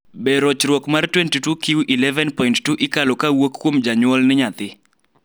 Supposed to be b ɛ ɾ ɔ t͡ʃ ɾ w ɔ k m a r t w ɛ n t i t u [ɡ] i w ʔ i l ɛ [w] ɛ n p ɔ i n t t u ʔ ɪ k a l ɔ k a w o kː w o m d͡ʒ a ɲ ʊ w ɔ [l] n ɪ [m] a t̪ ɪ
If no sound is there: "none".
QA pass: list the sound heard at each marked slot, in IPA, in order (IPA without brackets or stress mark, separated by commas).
k, v, l, ɲ